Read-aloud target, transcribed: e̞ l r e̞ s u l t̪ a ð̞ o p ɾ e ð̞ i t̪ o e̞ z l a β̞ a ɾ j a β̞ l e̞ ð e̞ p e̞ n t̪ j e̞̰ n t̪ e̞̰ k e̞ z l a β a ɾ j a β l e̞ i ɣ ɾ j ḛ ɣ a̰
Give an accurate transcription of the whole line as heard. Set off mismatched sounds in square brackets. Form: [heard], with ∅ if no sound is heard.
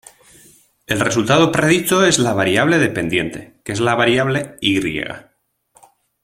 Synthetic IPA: e̞ l r e̞ s u l t̪ a ð̞ o p ɾ e ð̞ i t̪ o e̞ z l a β̞ a ɾ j a β̞ l e̞ ð e̞ p e̞ n [d̪] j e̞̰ n t̪ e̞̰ k e̞ z l a β a ɾ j a β l e̞ i ɣ ɾ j ḛ ɣ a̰